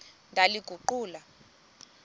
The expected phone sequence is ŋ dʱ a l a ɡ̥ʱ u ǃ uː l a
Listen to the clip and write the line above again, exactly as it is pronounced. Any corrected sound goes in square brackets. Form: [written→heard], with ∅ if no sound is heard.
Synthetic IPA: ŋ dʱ a l [a→i] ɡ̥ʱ u ǃ uː l a